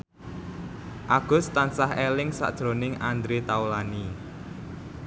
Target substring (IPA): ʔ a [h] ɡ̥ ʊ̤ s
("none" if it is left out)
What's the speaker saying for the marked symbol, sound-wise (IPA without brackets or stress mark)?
none